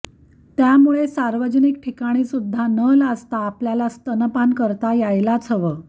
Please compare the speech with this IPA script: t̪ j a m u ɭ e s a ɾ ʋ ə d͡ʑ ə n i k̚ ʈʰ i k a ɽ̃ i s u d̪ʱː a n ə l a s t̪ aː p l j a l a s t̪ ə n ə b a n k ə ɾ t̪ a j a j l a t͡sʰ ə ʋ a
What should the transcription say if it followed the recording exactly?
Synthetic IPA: t̪ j a m u ɭ e s a ɾ ʋ ə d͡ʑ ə n i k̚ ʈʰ i k a ɽ̃ i s u d̪ʱː a n ə l a s t̪ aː p l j a l a s t̪ ə n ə p a n k ə ɾ t̪ a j a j l a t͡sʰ ə ʋ ə